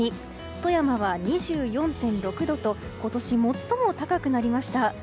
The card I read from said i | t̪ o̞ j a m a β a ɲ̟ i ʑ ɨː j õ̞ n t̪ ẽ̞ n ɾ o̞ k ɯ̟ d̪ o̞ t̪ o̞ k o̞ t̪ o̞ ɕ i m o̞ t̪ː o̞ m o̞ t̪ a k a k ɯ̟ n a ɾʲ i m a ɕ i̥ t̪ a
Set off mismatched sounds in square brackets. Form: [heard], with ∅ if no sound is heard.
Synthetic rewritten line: i | t̪ o̞ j a m a β a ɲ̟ i ʑ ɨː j õ̞ n t̪ ẽ̞ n ɾ o̞ k ɯ̟ d̪ o̞ t̪ o̞ k o̞ t̪ o̞ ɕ i m o̞ t̪ː o̞ m o̞ t̪ a k a k ɯ̟ n a ɾʲ i m a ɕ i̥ t̪ a